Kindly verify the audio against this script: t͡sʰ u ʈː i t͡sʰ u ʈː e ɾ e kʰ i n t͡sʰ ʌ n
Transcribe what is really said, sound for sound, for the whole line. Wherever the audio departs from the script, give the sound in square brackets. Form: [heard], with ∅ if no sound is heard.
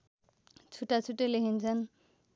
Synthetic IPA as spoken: t͡sʰ u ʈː [a] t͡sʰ u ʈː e [l] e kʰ i n t͡sʰ ʌ n